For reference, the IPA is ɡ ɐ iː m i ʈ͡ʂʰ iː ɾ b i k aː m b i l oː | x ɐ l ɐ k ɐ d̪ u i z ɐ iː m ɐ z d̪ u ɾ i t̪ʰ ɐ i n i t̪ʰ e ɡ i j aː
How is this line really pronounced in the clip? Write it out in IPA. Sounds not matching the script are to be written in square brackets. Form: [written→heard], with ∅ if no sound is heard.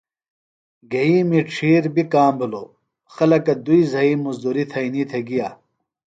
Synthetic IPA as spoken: ɡ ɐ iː m i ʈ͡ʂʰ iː ɾ b i k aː m b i l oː | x ɐ l ɐ k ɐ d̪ u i z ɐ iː m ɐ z d̪ u ɾ i t̪ʰ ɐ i n i t̪ʰ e ɡ i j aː